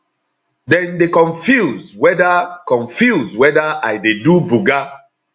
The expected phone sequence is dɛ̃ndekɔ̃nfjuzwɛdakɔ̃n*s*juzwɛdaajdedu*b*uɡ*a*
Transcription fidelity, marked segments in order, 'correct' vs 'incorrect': incorrect: f, correct, correct

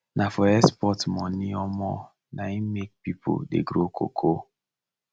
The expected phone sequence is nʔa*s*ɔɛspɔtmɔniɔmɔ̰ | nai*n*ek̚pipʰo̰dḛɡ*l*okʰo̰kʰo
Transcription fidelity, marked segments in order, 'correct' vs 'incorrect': incorrect: f, incorrect: m, incorrect: ɾ

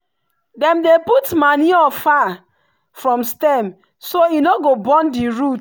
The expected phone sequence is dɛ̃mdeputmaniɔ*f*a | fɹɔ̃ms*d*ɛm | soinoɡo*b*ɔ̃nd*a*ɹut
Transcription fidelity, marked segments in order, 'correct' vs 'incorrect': correct, incorrect: t, correct, incorrect: i

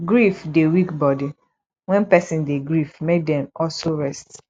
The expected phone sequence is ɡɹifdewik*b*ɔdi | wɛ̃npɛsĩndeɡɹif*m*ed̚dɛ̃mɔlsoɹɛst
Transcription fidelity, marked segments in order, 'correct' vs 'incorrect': correct, correct

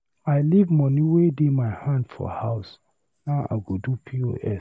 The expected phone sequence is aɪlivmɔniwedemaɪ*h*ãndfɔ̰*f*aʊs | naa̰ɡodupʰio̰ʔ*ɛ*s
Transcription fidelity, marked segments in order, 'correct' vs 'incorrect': correct, incorrect: h, correct

